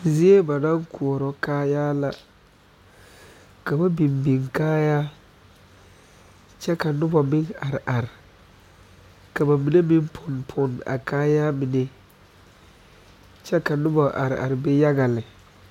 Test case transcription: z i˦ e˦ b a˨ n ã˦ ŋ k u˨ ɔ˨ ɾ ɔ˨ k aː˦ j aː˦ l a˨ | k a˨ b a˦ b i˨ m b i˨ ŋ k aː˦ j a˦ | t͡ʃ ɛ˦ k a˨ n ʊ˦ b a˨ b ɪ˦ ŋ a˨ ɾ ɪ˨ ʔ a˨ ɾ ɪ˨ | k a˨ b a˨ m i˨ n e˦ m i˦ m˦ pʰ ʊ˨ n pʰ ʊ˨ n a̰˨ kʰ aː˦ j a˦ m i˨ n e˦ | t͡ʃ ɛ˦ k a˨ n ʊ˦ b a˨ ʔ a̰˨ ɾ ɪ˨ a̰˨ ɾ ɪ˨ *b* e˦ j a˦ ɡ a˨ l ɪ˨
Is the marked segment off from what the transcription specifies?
no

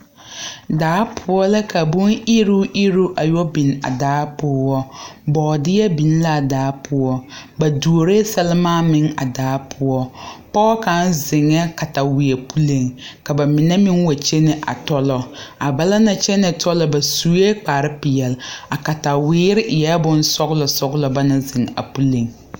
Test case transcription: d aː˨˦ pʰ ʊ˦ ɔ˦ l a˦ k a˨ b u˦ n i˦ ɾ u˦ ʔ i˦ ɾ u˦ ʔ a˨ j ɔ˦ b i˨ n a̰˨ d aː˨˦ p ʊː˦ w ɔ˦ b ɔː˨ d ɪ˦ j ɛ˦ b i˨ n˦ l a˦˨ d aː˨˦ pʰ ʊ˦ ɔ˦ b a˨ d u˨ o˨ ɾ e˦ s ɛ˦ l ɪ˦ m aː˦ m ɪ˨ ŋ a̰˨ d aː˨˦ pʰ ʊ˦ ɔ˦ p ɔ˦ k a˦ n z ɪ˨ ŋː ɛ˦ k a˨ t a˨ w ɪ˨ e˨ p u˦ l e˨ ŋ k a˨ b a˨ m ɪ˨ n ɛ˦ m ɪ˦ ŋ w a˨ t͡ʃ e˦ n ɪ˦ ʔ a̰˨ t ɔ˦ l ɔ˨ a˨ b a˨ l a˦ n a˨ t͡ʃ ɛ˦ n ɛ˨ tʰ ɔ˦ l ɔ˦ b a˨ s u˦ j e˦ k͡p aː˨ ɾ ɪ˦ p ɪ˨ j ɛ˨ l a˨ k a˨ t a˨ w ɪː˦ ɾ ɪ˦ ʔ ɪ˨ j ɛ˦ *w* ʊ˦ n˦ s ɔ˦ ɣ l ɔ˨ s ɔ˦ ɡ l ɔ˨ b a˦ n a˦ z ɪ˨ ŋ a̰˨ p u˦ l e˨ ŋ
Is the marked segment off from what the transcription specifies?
yes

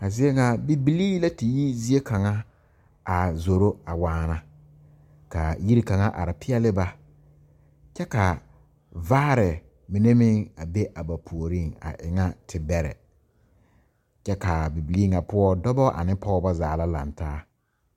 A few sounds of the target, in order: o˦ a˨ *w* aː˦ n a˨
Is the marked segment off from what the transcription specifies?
no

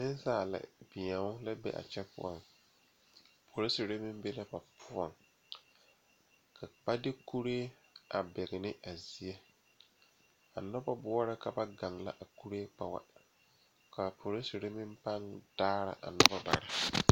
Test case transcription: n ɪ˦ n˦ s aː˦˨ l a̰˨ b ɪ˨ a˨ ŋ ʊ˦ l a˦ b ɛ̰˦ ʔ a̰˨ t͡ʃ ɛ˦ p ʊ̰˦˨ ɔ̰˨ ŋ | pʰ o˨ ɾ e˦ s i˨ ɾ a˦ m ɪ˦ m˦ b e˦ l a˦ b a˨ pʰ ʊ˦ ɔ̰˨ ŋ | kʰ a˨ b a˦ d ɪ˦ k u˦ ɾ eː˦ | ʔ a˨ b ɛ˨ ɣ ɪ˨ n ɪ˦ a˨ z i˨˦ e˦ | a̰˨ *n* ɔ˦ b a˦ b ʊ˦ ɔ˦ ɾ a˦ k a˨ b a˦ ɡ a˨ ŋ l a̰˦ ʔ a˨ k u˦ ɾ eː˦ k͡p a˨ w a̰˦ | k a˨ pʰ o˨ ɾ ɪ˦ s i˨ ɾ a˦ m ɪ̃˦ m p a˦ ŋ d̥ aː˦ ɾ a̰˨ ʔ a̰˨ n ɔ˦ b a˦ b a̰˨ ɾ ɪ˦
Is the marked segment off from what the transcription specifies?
no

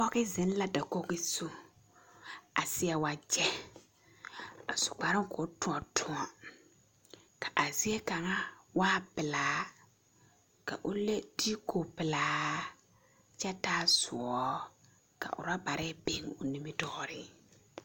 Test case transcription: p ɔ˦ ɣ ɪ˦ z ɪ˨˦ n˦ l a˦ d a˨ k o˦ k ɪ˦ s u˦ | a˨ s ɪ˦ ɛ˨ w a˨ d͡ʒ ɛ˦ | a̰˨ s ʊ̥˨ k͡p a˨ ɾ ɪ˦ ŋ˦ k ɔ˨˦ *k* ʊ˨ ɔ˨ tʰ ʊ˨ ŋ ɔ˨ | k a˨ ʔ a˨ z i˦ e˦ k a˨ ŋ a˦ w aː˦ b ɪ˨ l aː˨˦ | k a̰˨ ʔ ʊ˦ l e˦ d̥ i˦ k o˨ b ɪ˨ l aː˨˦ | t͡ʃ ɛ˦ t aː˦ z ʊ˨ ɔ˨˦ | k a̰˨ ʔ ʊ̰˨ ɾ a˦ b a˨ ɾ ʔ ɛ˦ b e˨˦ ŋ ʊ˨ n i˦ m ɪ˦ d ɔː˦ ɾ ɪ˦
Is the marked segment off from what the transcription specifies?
yes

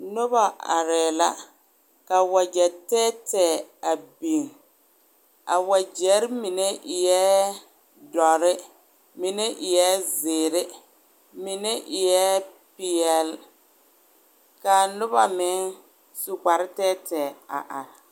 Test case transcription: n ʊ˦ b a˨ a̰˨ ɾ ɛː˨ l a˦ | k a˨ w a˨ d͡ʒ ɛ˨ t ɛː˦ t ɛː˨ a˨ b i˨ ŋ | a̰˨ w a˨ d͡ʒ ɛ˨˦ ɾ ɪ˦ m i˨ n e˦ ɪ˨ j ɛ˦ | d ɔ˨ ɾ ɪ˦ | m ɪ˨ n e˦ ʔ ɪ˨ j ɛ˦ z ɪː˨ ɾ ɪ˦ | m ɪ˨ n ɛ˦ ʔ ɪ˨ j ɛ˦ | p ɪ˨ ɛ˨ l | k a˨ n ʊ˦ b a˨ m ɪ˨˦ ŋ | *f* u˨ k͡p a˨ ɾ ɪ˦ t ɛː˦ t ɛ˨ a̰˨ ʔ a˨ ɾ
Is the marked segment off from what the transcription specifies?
yes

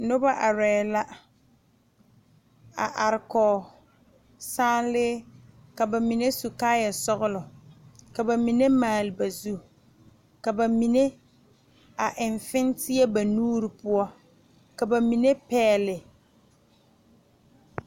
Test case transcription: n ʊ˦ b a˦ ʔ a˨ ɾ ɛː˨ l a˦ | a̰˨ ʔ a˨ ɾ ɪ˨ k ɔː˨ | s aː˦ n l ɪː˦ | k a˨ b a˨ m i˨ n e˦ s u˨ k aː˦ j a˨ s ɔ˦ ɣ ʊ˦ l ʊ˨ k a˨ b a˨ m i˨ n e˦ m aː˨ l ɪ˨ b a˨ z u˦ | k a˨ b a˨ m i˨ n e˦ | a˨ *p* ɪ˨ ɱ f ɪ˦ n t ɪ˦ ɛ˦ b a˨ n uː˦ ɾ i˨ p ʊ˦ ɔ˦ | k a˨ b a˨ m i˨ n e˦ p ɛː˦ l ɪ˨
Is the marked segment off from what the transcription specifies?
yes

